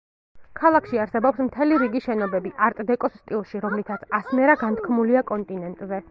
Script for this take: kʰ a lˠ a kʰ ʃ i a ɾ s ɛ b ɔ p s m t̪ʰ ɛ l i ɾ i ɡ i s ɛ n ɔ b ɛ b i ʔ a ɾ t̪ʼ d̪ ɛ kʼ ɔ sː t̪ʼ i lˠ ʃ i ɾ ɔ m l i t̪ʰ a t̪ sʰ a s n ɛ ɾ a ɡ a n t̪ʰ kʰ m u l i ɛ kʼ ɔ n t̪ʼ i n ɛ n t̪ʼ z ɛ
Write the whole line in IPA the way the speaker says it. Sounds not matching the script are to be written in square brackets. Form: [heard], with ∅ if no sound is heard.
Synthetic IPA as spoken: kʰ a lˠ a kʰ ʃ i a ɾ s ɛ b ɔ p s m t̪ʰ ɛ l i ɾ i ɡ i [ʃ] ɛ n ɔ b ɛ b i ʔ a ɾ t̪ʼ d̪ ɛ kʼ ɔ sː t̪ʼ i lˠ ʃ i ɾ ɔ m l i t̪ʰ a t̪ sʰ a s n ɛ ɾ a ɡ a n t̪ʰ kʰ m u l i [a] kʼ ɔ n t̪ʼ i n ɛ n t̪ʼ z ɛ